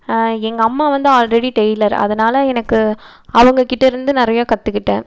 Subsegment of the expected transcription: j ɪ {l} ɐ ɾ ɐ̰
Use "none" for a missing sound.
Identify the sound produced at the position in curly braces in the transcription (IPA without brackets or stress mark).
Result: l